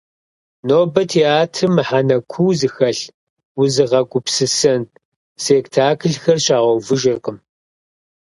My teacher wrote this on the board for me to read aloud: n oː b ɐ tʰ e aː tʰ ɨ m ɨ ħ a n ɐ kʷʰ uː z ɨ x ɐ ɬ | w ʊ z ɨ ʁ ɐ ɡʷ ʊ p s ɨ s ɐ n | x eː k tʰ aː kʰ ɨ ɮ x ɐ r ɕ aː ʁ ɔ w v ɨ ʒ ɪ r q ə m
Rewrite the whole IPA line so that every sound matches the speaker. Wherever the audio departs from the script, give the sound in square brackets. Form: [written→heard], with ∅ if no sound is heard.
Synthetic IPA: n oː b ɐ tʰ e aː tʰ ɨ m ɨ ħ a n ɐ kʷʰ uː z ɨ x ɐ ɬ | w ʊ z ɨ ʁ ɐ ɡʷ ʊ p s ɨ s ɐ n | [x→s] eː k tʰ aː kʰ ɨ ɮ x ɐ r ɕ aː ʁ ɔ w v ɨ ʒ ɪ r q ə m

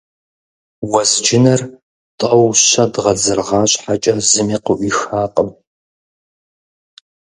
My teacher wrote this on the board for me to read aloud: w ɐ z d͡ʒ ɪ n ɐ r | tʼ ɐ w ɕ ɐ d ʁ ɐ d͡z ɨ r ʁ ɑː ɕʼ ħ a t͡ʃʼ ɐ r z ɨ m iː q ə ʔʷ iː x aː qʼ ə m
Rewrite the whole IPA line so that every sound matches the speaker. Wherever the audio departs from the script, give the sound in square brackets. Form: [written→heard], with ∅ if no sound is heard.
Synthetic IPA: w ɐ z d͡ʒ ɪ n ɐ r | tʼ ɐ w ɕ ɐ d ʁ ɐ d͡z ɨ r ʁ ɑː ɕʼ ħ a t͡ʃʼ ɐ [r→∅] z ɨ m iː q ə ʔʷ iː x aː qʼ ə m

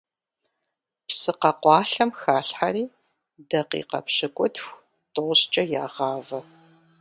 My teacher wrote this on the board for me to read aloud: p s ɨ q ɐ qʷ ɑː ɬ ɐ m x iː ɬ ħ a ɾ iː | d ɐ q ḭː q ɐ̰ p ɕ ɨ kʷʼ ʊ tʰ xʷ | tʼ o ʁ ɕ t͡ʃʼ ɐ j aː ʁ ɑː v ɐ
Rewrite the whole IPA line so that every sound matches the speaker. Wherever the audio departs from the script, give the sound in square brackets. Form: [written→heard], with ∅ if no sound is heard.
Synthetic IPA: p s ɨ q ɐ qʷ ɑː ɬ ɐ m x [iː→aː] ɬ ħ a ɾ iː | d ɐ q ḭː q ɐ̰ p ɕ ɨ kʷʼ ʊ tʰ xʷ | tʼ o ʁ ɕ t͡ʃʼ ɐ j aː ʁ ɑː v ɐ

